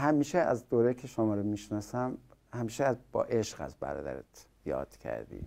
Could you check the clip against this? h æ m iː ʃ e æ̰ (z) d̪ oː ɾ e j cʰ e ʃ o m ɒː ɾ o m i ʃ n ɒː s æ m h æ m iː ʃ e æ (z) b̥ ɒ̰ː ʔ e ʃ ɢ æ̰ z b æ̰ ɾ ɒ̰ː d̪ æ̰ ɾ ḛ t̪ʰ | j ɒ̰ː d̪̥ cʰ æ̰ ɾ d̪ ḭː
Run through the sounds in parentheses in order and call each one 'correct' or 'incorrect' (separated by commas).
correct, correct